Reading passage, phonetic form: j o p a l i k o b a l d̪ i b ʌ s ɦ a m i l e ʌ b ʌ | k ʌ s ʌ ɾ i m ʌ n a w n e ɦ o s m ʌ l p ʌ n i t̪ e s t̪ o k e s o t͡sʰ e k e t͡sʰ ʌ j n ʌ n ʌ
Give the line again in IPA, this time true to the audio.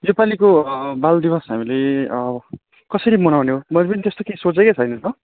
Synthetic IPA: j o p a l i k o b a l d̪ i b ʌ s ɦ a m i l e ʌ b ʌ | k ʌ s ʌ ɾ i m ʌ n a w n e ɦ o m ʌ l p ʌ n i t̪ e s t̪ o k e s o t͡s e k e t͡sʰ ʌ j n ʌ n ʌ